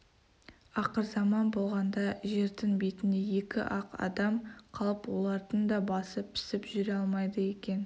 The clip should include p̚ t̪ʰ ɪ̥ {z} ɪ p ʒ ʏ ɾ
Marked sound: incorrect: s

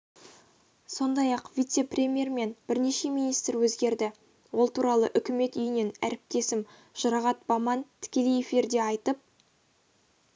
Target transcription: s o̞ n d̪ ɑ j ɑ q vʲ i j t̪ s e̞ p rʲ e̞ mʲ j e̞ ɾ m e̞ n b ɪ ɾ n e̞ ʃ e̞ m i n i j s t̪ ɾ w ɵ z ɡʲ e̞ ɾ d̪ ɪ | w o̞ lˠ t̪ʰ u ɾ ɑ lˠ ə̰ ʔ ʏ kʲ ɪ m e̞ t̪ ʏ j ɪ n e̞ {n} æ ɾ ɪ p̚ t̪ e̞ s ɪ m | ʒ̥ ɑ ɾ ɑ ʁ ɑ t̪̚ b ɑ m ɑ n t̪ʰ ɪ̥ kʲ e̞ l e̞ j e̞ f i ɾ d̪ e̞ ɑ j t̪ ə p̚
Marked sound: correct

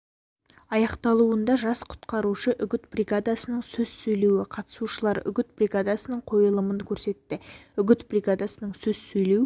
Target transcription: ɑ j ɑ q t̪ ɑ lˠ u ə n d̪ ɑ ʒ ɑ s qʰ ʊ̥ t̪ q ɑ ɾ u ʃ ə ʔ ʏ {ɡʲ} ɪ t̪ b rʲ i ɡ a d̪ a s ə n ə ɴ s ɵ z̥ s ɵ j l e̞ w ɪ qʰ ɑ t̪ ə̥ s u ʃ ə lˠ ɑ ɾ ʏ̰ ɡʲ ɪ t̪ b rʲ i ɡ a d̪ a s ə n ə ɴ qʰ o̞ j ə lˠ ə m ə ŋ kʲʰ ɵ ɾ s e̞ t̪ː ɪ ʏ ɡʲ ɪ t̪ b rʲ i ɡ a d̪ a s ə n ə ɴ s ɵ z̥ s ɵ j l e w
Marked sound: correct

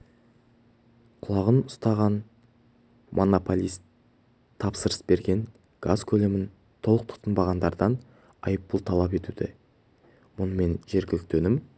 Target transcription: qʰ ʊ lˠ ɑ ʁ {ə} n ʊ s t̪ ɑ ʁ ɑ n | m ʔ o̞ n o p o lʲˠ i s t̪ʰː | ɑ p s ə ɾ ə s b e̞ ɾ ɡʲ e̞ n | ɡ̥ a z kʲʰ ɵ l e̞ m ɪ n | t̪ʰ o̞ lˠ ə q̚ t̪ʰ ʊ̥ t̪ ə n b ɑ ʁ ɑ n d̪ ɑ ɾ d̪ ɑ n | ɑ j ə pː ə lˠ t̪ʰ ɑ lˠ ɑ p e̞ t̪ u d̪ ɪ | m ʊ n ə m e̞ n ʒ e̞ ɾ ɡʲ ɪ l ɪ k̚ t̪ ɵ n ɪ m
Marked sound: correct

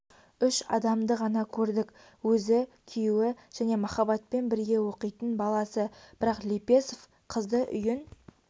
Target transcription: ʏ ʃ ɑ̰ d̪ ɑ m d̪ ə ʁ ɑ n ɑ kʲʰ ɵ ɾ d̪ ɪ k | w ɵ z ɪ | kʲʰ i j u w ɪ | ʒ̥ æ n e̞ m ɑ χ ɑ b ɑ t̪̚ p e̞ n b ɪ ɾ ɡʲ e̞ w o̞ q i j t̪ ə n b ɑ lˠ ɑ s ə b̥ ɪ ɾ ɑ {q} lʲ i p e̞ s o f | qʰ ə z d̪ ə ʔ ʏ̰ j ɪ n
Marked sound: correct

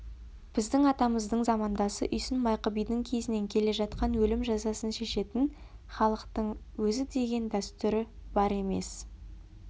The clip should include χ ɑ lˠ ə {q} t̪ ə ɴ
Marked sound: correct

